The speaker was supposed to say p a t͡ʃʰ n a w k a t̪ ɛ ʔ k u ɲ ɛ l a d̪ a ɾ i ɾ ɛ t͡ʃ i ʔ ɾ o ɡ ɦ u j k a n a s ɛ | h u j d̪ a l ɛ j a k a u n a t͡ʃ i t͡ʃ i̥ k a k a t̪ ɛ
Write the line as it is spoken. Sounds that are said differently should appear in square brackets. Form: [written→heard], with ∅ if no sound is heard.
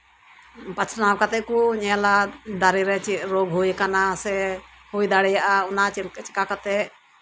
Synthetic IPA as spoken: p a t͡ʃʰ n a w k a t̪ ɛ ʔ k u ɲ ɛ l a d̪ a ɾ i ɾ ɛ t͡ʃ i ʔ ɾ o ɡ ɦ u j k a n a s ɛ | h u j d̪ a [l→ɽ] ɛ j a [k→ʔ] a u n a t͡ʃ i t͡ʃ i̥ k a k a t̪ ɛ